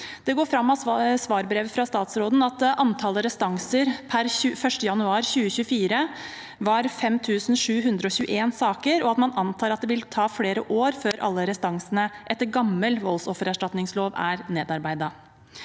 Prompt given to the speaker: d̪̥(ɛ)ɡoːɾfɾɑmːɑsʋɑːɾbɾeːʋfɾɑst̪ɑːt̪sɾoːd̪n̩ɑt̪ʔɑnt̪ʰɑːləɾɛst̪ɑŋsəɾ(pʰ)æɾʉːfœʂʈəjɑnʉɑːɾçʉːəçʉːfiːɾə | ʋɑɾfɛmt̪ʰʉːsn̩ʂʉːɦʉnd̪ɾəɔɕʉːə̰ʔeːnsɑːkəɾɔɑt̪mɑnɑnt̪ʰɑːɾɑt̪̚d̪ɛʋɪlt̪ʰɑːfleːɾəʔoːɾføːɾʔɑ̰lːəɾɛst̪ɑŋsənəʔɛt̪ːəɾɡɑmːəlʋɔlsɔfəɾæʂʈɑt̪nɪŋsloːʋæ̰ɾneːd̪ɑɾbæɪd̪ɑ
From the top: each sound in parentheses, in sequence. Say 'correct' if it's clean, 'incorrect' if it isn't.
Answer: correct, correct

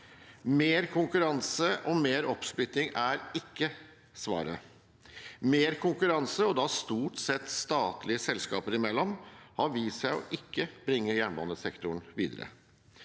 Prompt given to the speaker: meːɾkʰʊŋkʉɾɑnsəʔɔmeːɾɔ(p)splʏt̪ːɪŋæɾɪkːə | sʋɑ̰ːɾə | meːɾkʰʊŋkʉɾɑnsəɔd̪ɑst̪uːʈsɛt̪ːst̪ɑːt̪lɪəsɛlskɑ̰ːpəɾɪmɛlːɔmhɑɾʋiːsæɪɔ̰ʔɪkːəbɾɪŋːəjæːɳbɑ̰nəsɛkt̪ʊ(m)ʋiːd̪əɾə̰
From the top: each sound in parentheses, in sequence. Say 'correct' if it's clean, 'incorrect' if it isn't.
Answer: correct, incorrect: ɳ

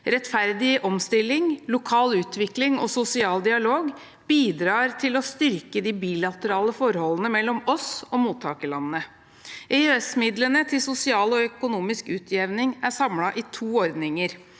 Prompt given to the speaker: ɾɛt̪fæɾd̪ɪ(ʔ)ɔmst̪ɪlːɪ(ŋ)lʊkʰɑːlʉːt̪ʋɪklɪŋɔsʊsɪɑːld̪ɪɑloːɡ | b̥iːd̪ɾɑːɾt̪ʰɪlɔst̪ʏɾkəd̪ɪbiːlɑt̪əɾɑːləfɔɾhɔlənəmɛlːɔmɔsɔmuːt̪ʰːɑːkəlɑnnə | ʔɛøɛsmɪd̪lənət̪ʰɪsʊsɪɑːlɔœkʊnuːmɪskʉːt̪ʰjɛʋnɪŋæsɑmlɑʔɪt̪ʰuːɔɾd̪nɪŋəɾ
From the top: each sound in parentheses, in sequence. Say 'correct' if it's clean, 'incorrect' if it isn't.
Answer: correct, correct

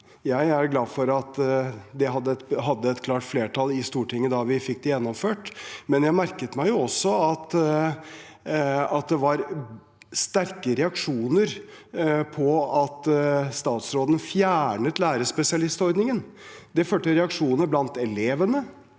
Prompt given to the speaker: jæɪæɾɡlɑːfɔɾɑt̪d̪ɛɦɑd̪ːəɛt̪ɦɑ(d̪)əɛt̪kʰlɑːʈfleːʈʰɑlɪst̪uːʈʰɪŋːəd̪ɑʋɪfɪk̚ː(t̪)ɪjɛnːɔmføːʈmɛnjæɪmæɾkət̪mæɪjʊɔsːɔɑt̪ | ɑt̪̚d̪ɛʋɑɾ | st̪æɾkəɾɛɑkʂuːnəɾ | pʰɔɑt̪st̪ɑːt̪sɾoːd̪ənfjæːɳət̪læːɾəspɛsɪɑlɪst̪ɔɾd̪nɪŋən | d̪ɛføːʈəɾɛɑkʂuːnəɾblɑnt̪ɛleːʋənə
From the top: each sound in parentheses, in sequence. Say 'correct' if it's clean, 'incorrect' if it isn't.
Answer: incorrect: d̪ː, incorrect: d̪

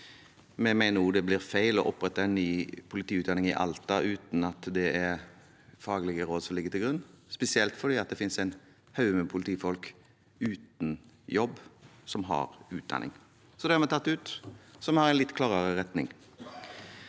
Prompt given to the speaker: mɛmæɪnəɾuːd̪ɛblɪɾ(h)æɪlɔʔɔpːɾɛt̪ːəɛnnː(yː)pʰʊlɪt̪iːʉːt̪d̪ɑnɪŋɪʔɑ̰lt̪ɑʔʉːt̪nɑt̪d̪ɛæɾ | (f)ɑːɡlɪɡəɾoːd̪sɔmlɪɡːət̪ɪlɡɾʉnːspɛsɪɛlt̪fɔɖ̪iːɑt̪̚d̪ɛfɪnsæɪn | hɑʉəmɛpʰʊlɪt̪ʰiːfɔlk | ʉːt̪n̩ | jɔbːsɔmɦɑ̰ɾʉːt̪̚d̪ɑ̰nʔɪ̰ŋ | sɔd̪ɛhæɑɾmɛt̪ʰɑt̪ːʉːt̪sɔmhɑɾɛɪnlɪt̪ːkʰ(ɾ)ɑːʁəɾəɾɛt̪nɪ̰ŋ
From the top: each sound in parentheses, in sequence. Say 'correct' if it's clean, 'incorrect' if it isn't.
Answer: incorrect: f, correct, correct, incorrect: l

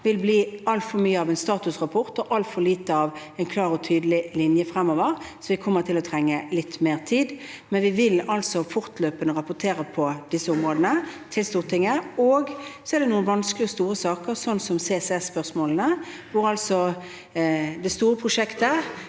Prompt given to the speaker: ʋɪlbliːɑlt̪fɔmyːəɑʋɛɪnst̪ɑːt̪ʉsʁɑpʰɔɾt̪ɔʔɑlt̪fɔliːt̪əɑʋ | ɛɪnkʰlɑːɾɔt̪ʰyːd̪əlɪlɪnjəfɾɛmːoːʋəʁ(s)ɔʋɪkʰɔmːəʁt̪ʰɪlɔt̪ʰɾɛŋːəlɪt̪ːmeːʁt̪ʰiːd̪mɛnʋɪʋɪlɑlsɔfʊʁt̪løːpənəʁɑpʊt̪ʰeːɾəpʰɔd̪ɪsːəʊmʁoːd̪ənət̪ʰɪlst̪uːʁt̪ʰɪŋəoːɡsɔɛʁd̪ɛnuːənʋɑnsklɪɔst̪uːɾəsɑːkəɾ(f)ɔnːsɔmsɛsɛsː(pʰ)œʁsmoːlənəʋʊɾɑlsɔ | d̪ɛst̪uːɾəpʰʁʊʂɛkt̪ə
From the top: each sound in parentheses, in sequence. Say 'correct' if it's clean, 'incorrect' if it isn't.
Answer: correct, incorrect: s, incorrect: p

